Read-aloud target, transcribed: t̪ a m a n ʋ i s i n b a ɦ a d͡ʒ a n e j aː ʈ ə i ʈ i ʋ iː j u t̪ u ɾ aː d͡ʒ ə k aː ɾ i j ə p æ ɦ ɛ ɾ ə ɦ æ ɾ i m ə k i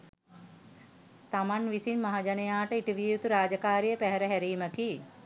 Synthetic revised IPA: t̪ a m a n ʋ i s i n m a ɦ a d͡ʒ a n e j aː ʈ ə i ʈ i ʋ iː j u t̪ u ɾ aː d͡ʒ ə k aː ɾ i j ə p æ ɦ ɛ ɾ ə ɦ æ ɾ iː m ə k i